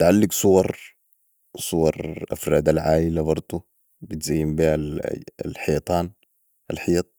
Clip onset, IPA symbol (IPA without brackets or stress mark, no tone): t̪